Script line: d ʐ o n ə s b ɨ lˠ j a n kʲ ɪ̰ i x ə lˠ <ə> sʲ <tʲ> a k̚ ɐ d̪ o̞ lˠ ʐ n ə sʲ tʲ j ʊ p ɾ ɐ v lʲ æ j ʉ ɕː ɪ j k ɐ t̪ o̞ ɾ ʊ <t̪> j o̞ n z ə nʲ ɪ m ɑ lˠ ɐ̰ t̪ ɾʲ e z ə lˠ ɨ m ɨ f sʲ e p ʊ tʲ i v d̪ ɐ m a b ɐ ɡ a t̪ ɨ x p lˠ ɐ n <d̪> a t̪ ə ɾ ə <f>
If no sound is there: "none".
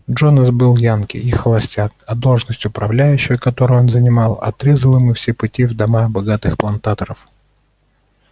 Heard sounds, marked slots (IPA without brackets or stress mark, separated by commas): ɐ, tʲ, none, t̪, f